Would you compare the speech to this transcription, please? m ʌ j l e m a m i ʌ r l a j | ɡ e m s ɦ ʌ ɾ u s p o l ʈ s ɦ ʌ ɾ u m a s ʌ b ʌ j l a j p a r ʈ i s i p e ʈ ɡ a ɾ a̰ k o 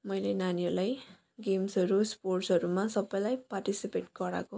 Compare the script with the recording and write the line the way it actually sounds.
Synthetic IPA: m ʌ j l e n a n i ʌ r l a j | ɡ e m s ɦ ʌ ɾ u s p o r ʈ s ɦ ʌ ɾ u m a s ʌ b ʌ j l a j p a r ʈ i s i p e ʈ ɡ ʌ ɾ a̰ k o